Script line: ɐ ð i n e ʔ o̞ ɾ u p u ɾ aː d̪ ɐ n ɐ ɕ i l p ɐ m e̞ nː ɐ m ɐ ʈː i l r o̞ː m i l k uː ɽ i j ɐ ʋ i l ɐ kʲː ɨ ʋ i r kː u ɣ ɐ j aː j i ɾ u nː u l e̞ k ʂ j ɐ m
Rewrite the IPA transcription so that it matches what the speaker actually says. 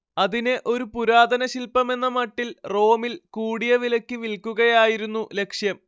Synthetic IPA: ɐ ð i n e ʔ o̞ ɾ u p u ɾ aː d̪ ɐ n ɐ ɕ i l p ɐ m e̞ nː ɐ m ɐ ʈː i l r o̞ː m i l k uː ɽ i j ɐ ʋ i l ɐ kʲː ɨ ʋ i l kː u ɣ ɐ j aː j i ɾ u nː u l e̞ k ʂ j ɐ m